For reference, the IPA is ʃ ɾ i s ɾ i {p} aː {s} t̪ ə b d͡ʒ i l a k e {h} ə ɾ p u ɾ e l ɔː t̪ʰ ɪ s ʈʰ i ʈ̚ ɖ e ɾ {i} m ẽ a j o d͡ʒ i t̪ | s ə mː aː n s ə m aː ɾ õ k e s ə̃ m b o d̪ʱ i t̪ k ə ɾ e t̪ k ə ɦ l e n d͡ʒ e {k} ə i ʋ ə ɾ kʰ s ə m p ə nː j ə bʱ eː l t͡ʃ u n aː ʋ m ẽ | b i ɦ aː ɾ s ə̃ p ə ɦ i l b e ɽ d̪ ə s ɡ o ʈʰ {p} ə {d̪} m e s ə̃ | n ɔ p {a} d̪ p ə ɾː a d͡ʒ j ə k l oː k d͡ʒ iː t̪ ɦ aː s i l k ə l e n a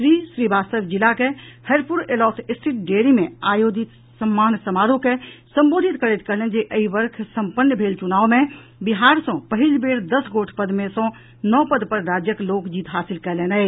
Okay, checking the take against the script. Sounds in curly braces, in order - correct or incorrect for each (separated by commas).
incorrect, correct, correct, correct, incorrect, correct, correct, incorrect